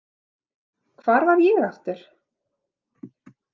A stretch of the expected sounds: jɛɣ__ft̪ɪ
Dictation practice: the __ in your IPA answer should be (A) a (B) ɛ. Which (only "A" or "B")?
A